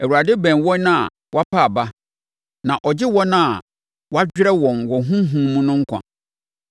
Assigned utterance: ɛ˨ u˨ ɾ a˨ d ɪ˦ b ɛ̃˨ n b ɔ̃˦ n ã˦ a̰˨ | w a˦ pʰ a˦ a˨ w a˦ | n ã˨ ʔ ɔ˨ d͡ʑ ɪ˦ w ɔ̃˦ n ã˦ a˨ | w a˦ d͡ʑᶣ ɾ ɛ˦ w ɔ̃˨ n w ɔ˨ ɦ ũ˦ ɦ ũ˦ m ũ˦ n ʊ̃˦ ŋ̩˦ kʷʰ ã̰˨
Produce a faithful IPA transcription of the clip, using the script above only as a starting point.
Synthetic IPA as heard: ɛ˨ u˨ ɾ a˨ d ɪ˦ b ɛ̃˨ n w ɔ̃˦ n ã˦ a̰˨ | w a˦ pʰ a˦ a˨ b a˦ | n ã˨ ʔ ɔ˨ d͡ʑ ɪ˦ w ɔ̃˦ n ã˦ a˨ | w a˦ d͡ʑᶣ ɾ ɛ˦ w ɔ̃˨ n w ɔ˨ ɦ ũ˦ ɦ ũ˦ m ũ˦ n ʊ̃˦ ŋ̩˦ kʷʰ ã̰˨